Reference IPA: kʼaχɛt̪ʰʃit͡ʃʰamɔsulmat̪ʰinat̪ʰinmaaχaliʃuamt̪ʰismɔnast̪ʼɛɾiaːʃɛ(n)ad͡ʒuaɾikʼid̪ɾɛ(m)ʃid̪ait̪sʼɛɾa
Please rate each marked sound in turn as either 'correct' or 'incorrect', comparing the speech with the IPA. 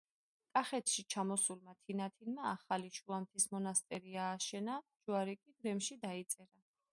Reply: correct, correct

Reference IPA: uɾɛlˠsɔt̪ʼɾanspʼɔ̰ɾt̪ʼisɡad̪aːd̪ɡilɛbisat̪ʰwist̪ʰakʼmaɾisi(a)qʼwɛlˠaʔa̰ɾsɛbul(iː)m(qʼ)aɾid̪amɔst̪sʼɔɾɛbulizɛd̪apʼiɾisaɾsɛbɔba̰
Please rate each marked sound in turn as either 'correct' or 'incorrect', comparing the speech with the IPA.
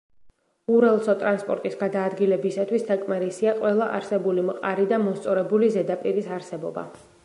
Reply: correct, incorrect, correct

